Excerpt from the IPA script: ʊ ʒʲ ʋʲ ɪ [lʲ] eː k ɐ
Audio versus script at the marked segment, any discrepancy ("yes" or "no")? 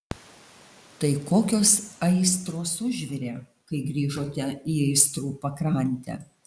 yes